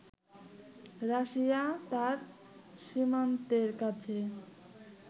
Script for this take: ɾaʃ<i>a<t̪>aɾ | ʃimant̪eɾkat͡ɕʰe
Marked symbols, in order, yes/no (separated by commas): yes, yes